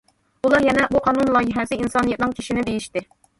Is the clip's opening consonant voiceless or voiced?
voiced